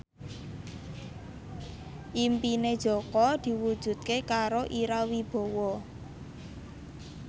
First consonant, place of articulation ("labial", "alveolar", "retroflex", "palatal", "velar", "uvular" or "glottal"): glottal